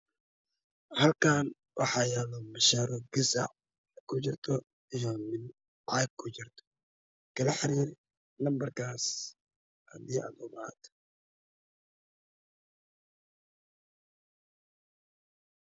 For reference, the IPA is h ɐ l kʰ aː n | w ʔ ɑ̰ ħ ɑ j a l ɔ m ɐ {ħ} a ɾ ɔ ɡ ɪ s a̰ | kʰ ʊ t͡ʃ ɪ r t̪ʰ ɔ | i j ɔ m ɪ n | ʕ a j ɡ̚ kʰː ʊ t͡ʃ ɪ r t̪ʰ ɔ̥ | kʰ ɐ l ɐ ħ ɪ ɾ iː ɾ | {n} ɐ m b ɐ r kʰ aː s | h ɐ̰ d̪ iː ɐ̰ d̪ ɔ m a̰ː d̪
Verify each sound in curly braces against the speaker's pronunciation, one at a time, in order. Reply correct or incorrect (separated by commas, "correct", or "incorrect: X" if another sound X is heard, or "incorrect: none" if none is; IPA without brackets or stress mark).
incorrect: ʃ, correct